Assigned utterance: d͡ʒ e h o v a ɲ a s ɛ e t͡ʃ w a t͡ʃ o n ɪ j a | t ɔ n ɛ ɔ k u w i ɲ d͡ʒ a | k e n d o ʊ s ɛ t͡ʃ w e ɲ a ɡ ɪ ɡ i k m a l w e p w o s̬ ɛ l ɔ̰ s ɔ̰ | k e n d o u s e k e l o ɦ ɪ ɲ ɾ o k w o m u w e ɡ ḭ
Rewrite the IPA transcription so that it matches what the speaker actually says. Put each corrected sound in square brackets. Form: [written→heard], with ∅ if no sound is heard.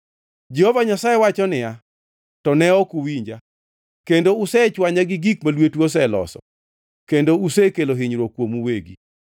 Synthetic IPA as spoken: d͡ʒ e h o v a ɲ a s [ɛ→a] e [t͡ʃ→∅] w a t͡ʃ [o→ɔ] n ɪ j a | t ɔ n ɛ ɔ k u w i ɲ d͡ʒ a | k e n d o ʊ s ɛ t͡ʃ w [e→a] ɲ a ɡ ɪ ɡ i k m a l w e [p→t] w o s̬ ɛ l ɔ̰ s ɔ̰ | k e n d o u s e k e l o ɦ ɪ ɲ ɾ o k w o m u w e ɡ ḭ